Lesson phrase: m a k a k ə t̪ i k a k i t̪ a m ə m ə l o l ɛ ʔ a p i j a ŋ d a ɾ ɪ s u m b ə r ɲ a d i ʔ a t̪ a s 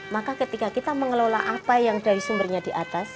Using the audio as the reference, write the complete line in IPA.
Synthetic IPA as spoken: m a k a k ə t̪ i k a k i t̪ a m ə ŋ ə l o l a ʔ a p a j a ŋ d a ɾ i s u m b ə r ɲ a d i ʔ a t̪ a s